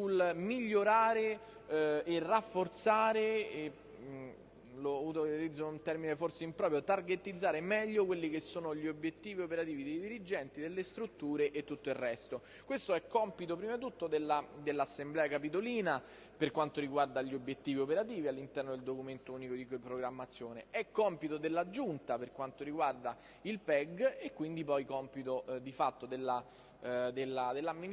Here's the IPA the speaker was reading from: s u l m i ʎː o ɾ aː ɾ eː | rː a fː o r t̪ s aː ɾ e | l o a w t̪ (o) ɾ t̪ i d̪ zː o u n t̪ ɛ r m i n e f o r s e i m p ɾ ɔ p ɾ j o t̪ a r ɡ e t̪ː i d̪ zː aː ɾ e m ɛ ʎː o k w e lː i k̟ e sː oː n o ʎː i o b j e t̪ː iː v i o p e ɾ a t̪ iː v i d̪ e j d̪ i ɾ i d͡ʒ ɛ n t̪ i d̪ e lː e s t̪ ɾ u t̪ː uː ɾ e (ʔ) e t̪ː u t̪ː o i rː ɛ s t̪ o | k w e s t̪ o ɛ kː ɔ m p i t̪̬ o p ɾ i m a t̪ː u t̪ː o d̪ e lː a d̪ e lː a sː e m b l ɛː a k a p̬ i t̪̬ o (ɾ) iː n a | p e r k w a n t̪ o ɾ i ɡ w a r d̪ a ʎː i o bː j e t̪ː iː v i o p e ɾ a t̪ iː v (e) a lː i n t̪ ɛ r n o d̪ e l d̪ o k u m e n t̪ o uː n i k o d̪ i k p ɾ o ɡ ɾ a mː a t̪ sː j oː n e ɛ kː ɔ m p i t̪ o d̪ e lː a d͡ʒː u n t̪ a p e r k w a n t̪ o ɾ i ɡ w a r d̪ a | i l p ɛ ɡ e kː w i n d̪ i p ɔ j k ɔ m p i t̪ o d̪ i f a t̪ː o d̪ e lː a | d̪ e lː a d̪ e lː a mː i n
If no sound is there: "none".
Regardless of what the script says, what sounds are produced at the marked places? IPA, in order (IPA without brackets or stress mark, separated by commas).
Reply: o, ʔ, l, i